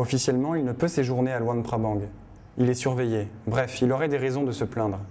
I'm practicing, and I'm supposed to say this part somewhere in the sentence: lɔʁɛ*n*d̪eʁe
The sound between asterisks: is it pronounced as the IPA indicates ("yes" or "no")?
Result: no